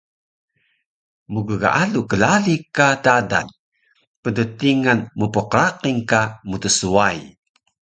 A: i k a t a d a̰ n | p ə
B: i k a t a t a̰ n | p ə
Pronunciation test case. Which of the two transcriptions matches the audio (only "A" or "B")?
A